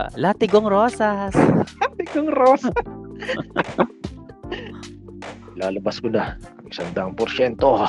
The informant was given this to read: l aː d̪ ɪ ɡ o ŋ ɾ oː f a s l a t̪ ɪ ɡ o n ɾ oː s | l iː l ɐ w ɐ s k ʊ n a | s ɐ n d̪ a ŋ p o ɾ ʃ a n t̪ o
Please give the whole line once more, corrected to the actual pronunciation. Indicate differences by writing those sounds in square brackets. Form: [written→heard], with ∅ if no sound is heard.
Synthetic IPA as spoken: l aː [d̪→t̪] ɪ ɡ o ŋ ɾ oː [f→s] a s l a t̪ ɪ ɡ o [n→ŋ] ɾ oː s | l [iː→aː] l ɐ [w→b] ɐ s k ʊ n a | s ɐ n d̪ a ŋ p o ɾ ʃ [a→ɛ] n t̪ o